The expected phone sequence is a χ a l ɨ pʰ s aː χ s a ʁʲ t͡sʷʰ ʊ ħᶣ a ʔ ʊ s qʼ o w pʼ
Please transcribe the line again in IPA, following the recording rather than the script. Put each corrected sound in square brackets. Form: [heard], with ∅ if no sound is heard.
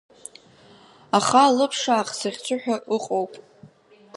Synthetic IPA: a χ a l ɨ pʰ [ʂ] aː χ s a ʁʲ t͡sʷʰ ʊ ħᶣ a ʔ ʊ [∅] qʼ o w pʼ